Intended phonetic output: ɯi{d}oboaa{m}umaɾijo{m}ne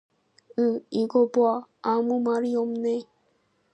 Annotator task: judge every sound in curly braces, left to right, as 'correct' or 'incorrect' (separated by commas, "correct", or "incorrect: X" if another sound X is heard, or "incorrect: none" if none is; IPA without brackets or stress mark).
incorrect: ɡ, correct, correct